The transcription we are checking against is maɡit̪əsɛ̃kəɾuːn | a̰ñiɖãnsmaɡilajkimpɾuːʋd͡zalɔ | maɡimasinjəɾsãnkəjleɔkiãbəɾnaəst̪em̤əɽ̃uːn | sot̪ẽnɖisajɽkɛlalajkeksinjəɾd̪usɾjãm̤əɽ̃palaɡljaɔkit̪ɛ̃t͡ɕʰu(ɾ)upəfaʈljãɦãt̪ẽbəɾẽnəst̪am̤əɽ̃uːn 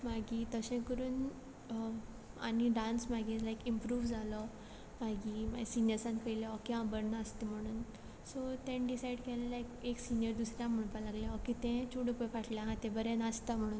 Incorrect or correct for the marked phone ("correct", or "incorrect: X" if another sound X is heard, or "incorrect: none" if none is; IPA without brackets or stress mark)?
incorrect: ɽ